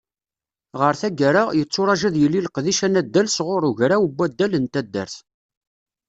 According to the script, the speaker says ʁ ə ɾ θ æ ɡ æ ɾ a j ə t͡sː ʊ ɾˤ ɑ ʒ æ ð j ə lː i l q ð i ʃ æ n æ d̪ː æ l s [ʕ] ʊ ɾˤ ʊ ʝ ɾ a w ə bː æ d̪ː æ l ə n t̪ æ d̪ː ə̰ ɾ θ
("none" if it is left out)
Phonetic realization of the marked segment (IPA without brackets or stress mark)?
ʁ